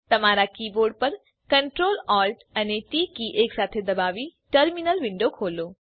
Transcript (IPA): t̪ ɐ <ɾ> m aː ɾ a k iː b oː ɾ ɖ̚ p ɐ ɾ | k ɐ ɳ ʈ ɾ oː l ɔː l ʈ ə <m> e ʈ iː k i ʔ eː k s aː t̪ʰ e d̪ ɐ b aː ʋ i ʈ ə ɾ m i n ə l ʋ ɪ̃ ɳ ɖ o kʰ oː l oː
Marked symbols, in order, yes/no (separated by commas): no, no